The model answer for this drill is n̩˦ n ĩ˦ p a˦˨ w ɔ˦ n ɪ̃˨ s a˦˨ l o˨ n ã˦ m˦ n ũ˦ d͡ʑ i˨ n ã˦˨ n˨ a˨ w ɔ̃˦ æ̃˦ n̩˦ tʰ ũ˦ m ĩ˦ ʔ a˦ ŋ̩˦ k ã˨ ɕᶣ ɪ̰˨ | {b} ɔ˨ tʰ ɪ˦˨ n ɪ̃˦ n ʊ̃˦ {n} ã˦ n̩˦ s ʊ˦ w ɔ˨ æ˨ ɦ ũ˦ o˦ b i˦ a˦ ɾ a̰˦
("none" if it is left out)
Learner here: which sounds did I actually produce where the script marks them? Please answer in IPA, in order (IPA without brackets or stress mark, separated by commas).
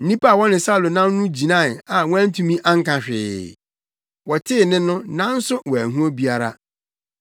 w, n